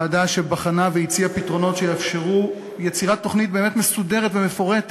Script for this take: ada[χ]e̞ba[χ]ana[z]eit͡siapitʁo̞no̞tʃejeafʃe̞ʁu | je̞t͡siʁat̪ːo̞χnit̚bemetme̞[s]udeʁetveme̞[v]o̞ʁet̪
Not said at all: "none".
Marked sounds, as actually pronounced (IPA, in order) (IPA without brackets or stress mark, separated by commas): ʃ, χ, v, s, f